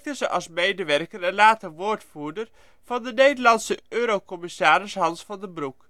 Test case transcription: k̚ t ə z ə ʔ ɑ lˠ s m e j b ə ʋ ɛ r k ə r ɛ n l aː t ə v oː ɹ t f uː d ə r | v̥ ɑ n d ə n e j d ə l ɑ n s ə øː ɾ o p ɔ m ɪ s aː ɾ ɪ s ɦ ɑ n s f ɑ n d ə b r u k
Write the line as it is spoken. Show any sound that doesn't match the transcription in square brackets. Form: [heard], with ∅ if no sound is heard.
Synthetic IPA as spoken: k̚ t ə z ə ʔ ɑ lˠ s m e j [d] ə ʋ ɛ r k ə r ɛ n l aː t ə [ʋ] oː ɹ t f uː d ə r | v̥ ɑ n d ə n e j d ə l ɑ n s ə øː ɾ o [k] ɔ m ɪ s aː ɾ ɪ s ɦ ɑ n s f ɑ n d ə b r u k